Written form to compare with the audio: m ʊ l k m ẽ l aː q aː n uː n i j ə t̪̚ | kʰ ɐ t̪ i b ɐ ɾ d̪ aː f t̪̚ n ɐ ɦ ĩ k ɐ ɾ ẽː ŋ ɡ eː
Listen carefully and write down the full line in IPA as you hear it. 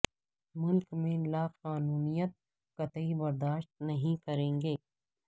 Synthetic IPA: m ʊ l k m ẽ l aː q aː n uː n i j ə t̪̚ | k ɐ t̪ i b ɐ ɾ d̪ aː ʃ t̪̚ n ɐ ɦ ĩ k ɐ ɾ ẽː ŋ ɡ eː

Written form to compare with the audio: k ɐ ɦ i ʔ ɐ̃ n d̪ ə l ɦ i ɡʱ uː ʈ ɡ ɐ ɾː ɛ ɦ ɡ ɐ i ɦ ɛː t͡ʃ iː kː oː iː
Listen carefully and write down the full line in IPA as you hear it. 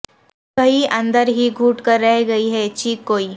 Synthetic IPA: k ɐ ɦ i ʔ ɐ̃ n d̪ ə ɾ ɦ i ɡʱ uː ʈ k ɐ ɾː ɛ ɦ ɡ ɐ i ɦ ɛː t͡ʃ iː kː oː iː

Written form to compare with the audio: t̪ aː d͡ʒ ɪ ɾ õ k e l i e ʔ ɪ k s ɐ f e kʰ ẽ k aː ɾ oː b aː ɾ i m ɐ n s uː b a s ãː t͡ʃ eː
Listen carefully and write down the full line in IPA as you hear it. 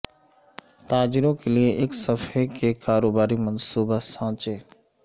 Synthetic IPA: t̪ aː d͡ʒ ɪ ɾ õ k e l i e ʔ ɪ k s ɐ f e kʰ e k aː ɾ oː b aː ɾ i m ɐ n s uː b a s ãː t͡ʃ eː

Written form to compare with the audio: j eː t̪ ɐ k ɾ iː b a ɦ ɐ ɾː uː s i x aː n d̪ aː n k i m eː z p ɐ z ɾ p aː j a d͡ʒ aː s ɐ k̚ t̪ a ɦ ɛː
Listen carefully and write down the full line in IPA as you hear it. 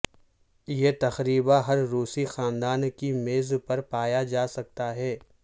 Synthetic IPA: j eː t̪ ɐ x ɾ iː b a ɦ ɐ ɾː uː s i x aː n d̪ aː n k i m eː z p ɐ ɾ p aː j a d͡ʒ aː s ɐ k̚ t̪ a ɦ ɛː

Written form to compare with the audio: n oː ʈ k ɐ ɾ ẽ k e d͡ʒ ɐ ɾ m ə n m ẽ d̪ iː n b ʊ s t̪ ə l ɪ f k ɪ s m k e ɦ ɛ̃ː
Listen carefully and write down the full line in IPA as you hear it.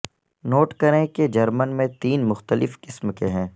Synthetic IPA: n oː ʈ k ɐ ɾ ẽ k e d͡ʒ ɐ ɾ m ə n m ẽ t̪ iː n m ʊ x t̪ ə l ɪ f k ɪ s m k e ɦ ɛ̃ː

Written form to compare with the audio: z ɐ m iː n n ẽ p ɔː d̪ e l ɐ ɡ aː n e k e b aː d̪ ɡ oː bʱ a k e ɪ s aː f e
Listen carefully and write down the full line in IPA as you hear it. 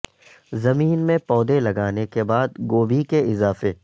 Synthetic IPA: z ɐ m iː n m ẽ p ɔː d̪ e l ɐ ɡ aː n e k e b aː d̪ ɡ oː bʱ i k e ɪ z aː f e

